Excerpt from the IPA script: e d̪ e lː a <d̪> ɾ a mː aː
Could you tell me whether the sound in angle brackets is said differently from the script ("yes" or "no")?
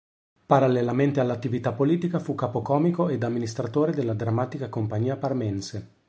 no